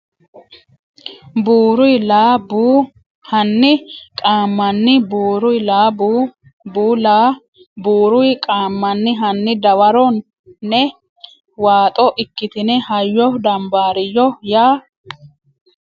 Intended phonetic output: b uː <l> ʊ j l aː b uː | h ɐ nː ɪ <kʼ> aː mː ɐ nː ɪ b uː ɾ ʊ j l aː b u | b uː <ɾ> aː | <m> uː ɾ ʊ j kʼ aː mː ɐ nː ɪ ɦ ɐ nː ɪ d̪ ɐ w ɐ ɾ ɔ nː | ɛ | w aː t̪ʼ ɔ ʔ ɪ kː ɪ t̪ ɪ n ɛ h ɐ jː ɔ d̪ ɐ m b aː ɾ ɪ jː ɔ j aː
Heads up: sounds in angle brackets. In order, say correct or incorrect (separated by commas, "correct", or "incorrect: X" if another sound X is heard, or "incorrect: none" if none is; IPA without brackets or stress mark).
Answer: incorrect: ɾ, correct, incorrect: l, incorrect: b